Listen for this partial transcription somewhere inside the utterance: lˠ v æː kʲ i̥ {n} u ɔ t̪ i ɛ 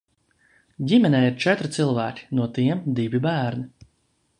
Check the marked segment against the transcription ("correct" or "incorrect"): correct